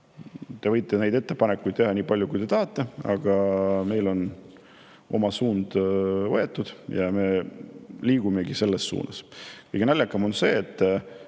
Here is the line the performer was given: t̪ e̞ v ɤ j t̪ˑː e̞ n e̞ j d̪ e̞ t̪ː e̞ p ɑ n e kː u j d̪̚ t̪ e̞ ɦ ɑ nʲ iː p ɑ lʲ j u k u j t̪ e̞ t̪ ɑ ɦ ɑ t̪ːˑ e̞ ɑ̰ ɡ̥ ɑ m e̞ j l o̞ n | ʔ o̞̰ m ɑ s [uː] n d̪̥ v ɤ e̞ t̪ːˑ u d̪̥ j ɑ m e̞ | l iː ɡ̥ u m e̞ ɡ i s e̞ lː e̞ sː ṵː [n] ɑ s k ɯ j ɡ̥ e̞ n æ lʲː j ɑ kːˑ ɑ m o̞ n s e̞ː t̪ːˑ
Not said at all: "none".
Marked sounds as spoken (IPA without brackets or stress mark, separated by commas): uː, n